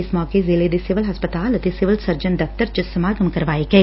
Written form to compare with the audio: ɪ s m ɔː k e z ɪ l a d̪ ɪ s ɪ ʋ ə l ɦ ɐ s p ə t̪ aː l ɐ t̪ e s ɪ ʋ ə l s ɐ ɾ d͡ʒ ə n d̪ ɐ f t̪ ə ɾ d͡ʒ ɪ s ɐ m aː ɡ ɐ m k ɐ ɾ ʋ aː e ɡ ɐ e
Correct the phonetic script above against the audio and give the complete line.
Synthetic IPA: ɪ s m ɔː k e z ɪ l e d̪ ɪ s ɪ ʋ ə l ɦ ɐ s p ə t̪ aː l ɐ t̪ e s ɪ ʋ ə l s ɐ ɾ d͡ʒ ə n d̪ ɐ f t̪ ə ɾ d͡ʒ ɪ s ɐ m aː ɡ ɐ m k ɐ ɾ ʋ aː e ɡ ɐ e